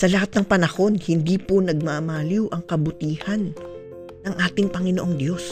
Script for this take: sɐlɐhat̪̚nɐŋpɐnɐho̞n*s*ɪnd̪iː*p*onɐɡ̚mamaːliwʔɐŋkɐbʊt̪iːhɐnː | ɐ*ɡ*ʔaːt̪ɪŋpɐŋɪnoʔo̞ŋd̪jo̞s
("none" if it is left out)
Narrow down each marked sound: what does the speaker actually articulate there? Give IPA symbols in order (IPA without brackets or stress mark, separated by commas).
h, p, ŋ